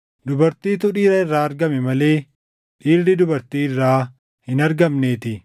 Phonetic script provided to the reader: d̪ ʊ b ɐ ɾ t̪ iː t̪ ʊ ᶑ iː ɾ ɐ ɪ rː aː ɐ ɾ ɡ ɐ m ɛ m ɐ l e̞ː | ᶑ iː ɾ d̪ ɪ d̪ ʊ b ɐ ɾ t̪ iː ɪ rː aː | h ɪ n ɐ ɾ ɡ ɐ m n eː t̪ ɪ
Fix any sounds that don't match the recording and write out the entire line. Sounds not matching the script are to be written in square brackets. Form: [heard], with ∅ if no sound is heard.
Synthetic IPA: d̪ ʊ b ɐ ɾ t̪ iː t̪ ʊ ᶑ iː ɾ ɐ ɪ rː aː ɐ ɾ ɡ ɐ m ɛ m ɐ l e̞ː | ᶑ iː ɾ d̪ ɪ d̪ ʊ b ɐ ɾ t̪ iː ɪ rː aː | h ɪ n ɐ ɾ ɡ ɐ m n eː t̪ ɪ